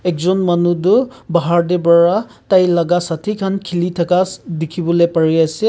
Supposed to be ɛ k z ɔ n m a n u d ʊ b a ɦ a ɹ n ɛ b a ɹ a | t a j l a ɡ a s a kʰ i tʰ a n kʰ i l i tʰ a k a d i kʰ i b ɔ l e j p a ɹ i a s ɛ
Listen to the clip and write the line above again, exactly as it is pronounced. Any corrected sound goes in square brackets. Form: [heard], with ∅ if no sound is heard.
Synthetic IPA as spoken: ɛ k z ɔ n m a n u d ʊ b a ɦ a ɹ [d] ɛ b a ɹ a | t a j l a ɡ a s a [tʰ] i [kʰ] a n kʰ i l i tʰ a k a d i kʰ i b ɔ l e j p a ɹ i a s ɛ